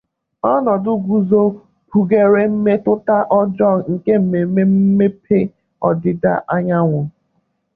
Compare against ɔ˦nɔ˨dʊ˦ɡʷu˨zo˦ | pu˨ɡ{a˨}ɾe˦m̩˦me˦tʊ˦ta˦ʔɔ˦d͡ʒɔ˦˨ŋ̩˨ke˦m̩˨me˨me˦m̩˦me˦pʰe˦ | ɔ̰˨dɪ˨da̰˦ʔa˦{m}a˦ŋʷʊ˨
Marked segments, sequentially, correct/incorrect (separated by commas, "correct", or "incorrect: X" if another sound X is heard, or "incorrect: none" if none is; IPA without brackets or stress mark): incorrect: e˨, incorrect: ɲ